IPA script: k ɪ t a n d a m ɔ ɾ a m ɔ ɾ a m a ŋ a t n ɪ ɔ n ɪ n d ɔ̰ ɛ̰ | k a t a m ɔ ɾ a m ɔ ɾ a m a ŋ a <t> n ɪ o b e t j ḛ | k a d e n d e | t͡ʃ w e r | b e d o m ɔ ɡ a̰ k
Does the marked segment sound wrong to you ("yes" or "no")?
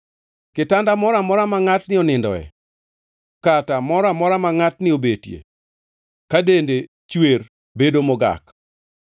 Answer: no